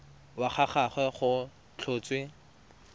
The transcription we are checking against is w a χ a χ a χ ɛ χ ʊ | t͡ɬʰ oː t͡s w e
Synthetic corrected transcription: w a χ a χ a χ ɛ χ ʊ | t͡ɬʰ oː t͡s w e

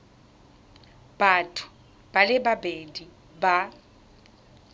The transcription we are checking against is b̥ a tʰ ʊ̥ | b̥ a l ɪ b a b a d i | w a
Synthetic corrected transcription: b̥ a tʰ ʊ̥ | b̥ a l ɪ b a b e d i | b a

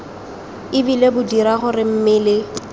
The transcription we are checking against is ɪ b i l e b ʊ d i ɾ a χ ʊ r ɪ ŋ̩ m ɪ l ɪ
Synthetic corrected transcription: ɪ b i l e b ʊ d i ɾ a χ ʊ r ɪ m̩ m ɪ l ɪ

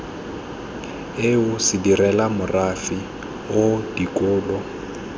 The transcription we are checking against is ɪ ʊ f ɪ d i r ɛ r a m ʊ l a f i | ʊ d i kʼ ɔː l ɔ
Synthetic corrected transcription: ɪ ʊ s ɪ d i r ɛ l a m ʊ r a f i | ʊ d i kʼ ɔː l ɔ

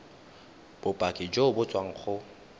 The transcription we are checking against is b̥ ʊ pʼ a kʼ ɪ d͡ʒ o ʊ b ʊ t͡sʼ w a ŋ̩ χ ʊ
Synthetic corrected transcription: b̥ ʊ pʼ a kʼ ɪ d͡ʒ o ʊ b ʊ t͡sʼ w a ŋ̩ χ ʊ

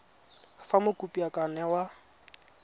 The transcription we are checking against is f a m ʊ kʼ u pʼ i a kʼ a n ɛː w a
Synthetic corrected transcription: f a m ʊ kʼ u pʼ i a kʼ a n ɛ w a

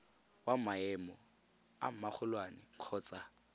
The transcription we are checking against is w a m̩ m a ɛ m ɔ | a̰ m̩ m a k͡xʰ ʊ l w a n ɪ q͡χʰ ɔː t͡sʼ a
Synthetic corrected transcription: w a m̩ m a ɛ m ɔ | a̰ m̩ m a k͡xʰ ʊ l w a n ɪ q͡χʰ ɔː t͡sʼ a

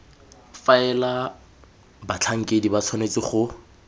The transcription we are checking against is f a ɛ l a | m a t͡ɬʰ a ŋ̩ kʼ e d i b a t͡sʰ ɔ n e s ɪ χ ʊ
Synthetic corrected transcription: f a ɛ l a | b a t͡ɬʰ a ŋ̩ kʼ e d i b a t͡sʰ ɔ n e t͡s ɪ χ ʊ

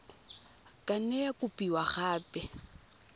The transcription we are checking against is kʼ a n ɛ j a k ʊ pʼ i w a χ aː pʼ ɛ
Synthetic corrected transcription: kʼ a n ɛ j a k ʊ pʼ i w a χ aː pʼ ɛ

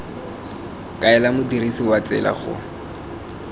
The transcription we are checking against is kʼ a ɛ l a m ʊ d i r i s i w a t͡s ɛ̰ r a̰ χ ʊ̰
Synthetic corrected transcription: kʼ a ɛ l a m ʊ d i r i s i w a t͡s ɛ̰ l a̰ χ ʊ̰

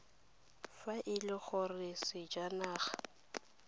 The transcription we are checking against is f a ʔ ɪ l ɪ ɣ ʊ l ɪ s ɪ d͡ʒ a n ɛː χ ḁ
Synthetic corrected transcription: f a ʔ ɪ l ɪ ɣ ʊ r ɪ s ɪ d͡ʒ a n aː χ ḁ

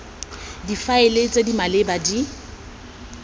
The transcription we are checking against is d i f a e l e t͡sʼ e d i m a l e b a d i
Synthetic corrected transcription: d i f a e l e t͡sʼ e d i m a l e b a d i

